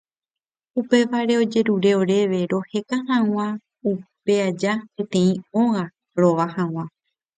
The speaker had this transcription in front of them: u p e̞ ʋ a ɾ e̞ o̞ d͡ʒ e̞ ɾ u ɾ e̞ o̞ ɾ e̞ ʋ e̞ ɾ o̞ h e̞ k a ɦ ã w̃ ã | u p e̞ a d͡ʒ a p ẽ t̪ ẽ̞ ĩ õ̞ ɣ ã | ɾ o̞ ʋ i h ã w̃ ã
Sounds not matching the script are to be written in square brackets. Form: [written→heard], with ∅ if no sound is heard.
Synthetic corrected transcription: u p e̞ ʋ a ɾ e̞ o̞ d͡ʒ e̞ ɾ u ɾ e̞ o̞ ɾ e̞ ʋ e̞ ɾ o̞ h e̞ k a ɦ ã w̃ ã | u p e̞ a d͡ʒ a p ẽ t̪ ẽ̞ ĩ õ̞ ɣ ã | ɾ o̞ ʋ [i→a] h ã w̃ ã